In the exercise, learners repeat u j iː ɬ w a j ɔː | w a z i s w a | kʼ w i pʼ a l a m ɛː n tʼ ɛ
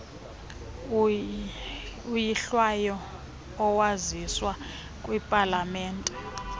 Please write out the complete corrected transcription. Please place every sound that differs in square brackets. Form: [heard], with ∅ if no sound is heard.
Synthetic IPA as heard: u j [i] ɬ w a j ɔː | w a z i s w a | kʼ w i pʼ a l a m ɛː n tʼ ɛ